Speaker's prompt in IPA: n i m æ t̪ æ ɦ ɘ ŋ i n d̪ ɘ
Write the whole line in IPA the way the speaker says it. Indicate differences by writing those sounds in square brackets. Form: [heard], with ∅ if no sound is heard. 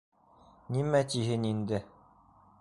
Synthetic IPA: n i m æ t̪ [i] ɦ ɘ [n] i n d̪ ɘ